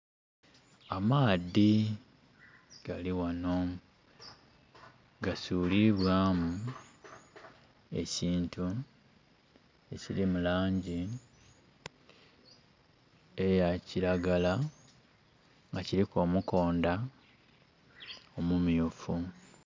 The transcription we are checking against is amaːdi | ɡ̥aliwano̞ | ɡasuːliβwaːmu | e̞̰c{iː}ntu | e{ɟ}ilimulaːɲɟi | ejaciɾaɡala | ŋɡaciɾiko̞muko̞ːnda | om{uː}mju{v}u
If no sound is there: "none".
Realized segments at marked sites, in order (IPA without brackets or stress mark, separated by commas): iː, c, u, f